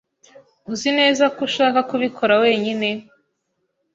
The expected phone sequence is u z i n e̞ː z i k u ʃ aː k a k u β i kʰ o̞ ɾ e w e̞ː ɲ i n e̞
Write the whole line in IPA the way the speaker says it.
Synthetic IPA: u z i n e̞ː z a k u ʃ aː k a k u β i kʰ o̞ ɾ a w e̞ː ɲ i n e̞